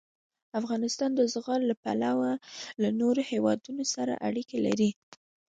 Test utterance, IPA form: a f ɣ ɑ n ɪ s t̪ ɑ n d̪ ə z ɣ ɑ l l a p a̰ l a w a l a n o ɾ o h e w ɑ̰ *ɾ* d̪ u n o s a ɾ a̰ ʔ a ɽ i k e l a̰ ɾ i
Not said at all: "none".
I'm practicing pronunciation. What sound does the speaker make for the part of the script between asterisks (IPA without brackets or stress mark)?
none